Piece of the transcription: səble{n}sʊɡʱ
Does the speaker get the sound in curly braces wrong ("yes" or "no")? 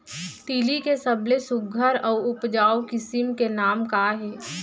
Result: yes